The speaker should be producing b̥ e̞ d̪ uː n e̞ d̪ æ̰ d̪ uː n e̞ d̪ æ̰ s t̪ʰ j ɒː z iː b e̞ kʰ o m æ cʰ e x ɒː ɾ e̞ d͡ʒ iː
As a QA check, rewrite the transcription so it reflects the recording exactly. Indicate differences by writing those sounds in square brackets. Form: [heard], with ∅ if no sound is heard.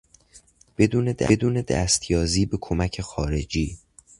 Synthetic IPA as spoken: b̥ e̞ d̪ uː n e̞ d̪ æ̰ d̪ uː n e̞ d̪ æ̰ s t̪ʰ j ɒː z iː b e̞ kʰ o m æ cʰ e x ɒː ɾ e̞ d͡ʒ iː